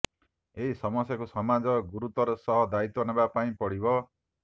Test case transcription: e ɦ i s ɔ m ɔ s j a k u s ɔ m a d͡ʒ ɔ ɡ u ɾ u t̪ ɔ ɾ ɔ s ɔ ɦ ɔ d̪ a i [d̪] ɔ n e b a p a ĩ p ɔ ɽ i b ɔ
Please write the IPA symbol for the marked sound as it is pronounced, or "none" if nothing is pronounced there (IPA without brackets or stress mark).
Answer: t̪